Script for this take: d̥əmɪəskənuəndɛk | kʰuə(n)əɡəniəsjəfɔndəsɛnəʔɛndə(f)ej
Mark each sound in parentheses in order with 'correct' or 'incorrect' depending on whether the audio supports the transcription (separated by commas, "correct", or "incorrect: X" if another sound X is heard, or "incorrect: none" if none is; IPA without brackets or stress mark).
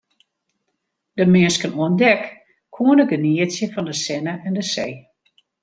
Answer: correct, incorrect: s